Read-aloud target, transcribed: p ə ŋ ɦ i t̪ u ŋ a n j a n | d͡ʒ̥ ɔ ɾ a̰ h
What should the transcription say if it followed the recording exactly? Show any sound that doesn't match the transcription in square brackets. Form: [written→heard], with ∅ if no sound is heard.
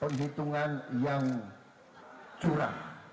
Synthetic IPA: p ə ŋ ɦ i t̪ u ŋ a n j a [n→ŋ] | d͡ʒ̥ [ɔ→u] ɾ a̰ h